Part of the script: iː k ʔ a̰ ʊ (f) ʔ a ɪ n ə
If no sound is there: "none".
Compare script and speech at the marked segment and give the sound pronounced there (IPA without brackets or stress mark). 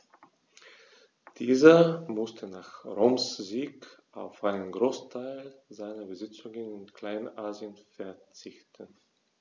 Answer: f